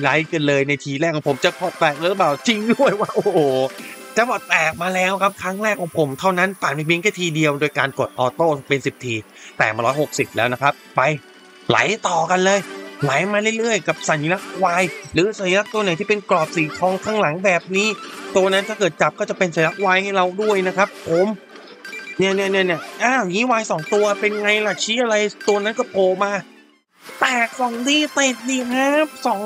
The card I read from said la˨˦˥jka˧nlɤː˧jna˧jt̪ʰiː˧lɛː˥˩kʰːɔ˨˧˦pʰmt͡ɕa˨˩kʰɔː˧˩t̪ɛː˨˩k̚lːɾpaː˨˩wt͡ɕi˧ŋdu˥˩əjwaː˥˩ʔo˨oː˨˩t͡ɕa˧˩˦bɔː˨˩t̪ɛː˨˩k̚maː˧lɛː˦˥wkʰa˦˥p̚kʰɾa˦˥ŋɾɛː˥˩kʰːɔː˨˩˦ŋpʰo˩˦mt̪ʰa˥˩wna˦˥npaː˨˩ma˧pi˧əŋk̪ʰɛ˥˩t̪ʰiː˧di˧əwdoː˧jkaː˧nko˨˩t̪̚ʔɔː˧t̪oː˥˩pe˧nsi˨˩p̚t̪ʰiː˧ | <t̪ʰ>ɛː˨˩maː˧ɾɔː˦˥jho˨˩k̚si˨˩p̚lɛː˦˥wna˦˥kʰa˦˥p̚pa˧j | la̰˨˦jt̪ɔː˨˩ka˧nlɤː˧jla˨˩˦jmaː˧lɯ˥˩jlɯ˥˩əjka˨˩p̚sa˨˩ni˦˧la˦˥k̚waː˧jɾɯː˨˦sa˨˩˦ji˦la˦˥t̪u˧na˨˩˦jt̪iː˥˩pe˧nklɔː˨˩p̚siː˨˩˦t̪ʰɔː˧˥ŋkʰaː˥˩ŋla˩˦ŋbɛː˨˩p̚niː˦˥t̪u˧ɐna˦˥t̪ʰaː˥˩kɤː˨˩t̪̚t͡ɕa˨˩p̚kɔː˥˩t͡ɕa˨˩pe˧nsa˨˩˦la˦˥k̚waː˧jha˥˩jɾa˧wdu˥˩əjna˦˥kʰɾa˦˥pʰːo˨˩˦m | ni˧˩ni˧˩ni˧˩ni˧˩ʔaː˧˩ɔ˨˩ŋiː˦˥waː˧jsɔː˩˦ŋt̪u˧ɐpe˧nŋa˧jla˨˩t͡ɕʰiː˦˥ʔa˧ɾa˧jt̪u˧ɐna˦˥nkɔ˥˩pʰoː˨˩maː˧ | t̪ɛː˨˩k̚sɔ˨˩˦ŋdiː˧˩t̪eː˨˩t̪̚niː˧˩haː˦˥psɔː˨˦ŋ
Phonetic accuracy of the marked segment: incorrect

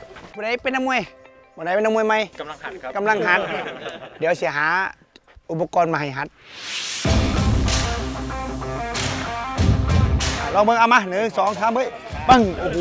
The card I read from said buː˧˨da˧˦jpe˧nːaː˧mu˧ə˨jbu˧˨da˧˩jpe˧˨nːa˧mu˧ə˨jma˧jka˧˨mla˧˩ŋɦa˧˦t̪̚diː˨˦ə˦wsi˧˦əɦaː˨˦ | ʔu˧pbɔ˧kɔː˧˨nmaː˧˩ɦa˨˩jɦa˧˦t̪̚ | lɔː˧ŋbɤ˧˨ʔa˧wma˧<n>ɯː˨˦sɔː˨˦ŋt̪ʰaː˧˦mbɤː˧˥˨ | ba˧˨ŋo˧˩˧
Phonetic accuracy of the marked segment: correct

